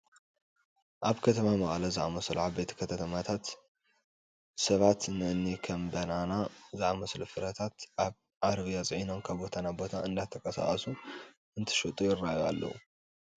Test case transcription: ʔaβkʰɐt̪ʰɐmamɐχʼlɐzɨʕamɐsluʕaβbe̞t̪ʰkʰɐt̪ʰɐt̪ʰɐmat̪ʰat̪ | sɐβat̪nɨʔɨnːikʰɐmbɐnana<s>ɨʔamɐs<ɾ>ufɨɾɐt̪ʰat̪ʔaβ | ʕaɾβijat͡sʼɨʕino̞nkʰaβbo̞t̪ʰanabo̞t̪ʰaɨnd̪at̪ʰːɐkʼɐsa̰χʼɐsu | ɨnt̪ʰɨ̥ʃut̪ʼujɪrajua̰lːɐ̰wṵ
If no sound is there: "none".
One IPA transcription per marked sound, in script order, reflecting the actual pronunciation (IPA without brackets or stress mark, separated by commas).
z, l